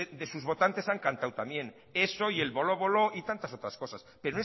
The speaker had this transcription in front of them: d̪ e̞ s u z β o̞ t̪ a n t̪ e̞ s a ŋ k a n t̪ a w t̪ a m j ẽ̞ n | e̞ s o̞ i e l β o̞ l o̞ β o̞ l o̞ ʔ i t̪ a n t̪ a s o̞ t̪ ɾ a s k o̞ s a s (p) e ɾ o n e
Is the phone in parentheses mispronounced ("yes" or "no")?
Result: no